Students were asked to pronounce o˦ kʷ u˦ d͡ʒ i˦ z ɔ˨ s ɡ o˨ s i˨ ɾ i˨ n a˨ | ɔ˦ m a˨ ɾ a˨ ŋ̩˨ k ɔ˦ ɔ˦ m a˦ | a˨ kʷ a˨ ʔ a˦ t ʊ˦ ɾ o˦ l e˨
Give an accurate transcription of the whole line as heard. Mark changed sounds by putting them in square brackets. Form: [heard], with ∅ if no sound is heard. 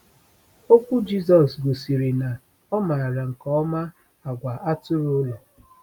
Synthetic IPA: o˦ kʷ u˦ d͡ʒ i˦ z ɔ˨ s ɡ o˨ s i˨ ɾ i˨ n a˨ | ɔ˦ m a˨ ɾ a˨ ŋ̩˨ k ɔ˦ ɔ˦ m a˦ | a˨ [ɡʷ] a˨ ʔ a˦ t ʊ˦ ɾ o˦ l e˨